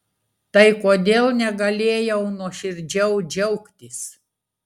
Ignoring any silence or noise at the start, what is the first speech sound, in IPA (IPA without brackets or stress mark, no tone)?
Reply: t̪